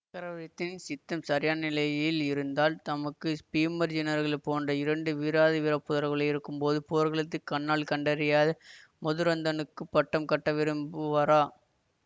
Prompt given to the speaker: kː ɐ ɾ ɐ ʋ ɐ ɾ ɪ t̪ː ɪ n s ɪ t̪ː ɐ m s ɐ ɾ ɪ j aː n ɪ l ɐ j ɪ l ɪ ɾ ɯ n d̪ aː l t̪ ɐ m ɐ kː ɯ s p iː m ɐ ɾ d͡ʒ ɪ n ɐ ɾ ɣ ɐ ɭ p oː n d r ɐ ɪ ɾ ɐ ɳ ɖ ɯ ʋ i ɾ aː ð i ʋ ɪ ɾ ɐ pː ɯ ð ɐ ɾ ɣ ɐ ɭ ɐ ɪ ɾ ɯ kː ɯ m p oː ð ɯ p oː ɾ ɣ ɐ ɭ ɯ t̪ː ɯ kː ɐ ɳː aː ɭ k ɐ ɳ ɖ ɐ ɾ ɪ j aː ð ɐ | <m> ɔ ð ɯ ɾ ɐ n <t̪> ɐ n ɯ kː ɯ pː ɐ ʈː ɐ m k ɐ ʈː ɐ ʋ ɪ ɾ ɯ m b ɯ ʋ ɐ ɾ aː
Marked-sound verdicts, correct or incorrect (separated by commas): correct, incorrect